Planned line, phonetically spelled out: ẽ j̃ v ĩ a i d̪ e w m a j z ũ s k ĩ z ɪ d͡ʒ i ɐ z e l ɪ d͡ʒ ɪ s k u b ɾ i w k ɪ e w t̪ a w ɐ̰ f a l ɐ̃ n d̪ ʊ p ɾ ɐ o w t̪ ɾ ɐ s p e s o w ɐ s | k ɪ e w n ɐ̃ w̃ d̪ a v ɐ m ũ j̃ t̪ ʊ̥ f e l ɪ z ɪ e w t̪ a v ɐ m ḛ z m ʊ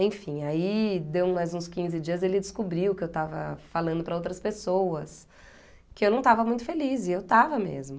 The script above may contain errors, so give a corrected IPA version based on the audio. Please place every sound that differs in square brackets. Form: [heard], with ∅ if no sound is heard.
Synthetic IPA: ẽ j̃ [f] ĩ a i d̪ e w m a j z ũ s k ĩ z ɪ d͡ʒ i ɐ z e l ɪ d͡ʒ ɪ s k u b ɾ i w k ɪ e w t̪ a [v] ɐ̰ f a l ɐ̃ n d̪ ʊ p ɾ ɐ o w t̪ ɾ ɐ s p e s o w ɐ s | k ɪ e w n ɐ̃ w̃ [t̪] a v ɐ m ũ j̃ t̪ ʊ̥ f e l [i] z ɪ e w t̪ a v ɐ m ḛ z m ʊ